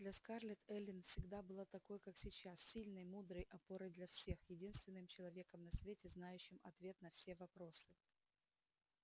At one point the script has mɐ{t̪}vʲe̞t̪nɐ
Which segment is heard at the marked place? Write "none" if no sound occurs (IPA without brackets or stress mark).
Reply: t̪